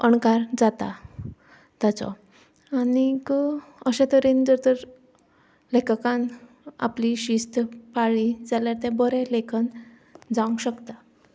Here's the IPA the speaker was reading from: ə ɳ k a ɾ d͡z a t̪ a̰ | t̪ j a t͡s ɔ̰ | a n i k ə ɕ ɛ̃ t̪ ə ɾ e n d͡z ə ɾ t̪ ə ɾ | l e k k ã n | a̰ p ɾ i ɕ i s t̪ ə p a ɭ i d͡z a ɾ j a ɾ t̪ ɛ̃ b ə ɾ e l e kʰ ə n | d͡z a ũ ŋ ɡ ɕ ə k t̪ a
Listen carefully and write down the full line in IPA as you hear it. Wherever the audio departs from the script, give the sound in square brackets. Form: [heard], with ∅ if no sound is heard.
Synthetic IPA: ə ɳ k a ɾ d͡z a t̪ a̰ | t̪ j a t͡s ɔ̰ | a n i k ə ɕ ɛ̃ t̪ ə ɾ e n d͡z ə ɾ t̪ ə ɾ | l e k k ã n | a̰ p [l] i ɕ i s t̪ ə p a ɭ i d͡z a [l] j a ɾ t̪ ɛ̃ b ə ɾ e l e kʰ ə n | d͡z a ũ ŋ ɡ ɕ ə k t̪ a